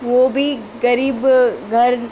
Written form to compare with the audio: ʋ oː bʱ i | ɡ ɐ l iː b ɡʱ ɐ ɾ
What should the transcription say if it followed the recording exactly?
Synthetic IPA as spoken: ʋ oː bʱ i | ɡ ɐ ɾ iː b ɡʱ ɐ ɾ